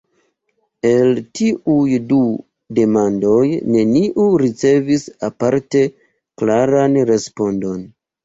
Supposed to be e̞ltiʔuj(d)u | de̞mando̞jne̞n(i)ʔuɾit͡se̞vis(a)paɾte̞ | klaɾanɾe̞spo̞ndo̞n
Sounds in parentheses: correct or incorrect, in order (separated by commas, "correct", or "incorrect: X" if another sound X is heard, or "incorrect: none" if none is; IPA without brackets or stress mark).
correct, correct, correct